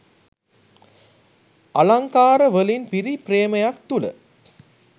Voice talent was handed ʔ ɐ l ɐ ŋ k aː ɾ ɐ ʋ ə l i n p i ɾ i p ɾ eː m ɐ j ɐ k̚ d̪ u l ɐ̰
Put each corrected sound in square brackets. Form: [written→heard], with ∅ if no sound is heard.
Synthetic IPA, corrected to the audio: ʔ ɐ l ɐ ŋ k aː ɾ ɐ ʋ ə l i n p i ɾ i p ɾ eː m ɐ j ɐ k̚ [d̪→t̪] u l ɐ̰